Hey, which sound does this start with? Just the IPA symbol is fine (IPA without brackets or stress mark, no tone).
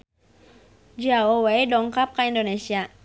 d͡ʒ